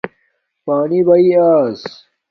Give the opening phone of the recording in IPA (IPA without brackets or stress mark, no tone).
p